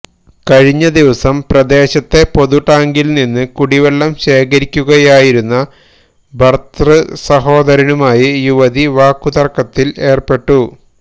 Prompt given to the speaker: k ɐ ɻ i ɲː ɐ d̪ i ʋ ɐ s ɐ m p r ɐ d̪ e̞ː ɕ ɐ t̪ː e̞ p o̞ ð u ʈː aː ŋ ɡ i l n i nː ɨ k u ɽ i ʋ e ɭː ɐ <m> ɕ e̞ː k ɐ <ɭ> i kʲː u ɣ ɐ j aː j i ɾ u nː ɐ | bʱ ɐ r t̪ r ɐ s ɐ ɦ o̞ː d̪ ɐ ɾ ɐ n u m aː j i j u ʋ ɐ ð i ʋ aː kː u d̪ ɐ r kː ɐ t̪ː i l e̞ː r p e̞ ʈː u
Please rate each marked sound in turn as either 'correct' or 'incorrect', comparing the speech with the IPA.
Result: correct, incorrect: ɾ

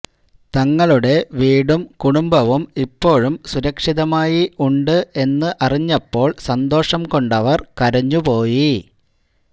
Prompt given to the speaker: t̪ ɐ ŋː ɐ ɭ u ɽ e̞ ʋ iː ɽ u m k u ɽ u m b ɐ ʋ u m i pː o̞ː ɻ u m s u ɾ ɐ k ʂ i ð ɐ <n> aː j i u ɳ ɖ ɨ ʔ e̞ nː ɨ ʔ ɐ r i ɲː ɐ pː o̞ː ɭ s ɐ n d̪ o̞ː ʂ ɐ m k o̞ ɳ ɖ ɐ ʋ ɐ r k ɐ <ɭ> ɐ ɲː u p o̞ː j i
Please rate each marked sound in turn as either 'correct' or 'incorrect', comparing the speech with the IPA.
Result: incorrect: m, incorrect: ɾ

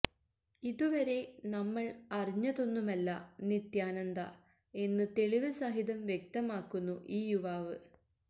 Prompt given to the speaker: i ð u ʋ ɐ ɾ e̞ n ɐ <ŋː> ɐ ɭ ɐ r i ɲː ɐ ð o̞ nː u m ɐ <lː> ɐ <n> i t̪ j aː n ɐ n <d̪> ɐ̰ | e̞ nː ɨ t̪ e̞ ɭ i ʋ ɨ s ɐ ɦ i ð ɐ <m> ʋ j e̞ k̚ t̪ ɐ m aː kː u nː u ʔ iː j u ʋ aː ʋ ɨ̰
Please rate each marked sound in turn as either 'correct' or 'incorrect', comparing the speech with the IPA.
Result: incorrect: mː, correct, correct, correct, correct

